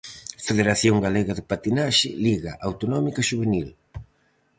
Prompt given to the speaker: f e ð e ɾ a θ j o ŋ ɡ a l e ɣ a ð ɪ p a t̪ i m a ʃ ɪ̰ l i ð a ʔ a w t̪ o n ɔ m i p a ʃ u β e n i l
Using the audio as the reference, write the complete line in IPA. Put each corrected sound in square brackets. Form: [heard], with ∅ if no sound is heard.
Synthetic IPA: f e ð e ɾ a θ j o ŋ ɡ a l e ɣ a ð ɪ p a t̪ i [n] a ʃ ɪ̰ l i [ɣ] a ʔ a w t̪ o n ɔ m i [k] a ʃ u β e n i l